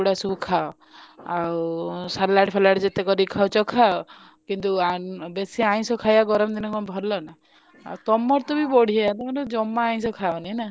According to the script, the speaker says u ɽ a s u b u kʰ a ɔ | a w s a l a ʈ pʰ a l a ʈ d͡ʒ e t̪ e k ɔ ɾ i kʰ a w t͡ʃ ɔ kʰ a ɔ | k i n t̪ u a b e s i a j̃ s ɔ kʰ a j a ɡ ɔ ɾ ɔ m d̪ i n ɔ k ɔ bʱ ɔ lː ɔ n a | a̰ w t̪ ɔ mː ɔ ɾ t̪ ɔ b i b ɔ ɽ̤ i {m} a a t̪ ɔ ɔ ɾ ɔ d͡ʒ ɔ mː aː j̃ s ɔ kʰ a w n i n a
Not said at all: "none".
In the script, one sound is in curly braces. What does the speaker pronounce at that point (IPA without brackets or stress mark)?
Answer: none